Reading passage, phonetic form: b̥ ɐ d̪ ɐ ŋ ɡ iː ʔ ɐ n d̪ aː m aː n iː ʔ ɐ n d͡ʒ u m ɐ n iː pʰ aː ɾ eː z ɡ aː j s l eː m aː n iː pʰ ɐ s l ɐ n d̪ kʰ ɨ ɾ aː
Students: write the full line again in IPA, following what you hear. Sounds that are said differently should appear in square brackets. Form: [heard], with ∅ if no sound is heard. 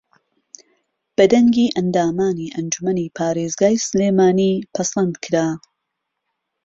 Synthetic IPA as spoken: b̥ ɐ d̪ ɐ ŋ ɡ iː ʔ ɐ n d̪ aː m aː n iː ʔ ɐ n d͡ʒ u m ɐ n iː pʰ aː ɾ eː z ɡ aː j s l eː m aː n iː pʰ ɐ s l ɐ n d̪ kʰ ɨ ɾ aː